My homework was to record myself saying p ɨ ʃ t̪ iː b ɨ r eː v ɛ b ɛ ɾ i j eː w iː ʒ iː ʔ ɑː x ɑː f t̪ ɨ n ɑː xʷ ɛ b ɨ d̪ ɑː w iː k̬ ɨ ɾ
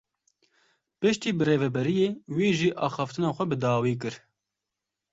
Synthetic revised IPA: p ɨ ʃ t̪ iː b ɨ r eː v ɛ b ɛ ɾ i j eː w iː ʒ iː ʔ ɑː x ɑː f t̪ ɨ n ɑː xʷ ɛ b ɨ d̪ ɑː w iː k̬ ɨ ɾ